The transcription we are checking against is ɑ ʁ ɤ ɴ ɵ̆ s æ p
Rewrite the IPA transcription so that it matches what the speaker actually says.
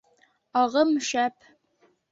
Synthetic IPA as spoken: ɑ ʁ ɤ m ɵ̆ ʃ æ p